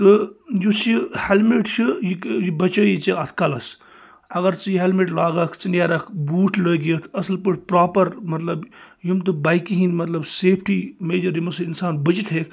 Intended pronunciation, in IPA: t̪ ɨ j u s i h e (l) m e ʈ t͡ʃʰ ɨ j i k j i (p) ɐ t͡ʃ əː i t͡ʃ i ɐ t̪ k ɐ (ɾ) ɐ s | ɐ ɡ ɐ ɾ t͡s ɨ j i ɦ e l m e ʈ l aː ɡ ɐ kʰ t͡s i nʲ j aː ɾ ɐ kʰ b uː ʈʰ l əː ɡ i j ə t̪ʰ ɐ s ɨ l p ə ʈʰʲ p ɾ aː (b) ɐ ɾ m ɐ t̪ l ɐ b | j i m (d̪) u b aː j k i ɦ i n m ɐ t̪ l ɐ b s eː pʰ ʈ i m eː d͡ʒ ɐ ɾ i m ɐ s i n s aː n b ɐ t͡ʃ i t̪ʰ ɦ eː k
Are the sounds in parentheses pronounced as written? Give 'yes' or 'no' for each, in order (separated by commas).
yes, no, no, no, no